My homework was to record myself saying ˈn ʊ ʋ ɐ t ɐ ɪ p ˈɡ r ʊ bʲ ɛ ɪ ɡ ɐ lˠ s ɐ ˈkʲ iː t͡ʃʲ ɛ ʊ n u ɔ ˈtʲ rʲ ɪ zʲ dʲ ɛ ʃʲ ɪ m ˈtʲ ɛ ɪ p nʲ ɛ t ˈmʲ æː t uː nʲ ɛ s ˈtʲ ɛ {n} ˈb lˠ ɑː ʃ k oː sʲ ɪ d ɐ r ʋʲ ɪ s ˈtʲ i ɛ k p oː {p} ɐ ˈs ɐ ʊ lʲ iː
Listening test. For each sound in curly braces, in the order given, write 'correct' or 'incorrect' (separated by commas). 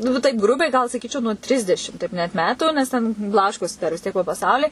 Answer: correct, correct